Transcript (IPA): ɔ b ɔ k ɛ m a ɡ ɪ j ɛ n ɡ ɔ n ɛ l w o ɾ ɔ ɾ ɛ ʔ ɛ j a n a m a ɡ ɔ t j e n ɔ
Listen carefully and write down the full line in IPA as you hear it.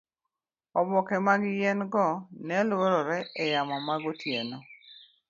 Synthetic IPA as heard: ɔ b ɔ k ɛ m a ɡ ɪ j ɛ n ɡ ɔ n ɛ l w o ɾ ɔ ɾ ɛ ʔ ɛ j a m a m a ɡ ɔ t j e n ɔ